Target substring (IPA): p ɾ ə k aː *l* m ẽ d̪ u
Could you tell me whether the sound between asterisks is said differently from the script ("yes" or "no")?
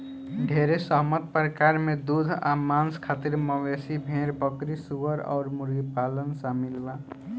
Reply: yes